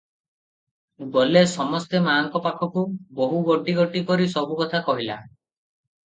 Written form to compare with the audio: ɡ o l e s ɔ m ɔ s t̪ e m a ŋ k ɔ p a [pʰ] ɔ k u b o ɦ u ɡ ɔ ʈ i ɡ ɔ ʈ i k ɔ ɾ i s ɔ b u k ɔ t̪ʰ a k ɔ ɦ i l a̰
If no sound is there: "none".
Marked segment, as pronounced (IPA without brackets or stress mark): kʰ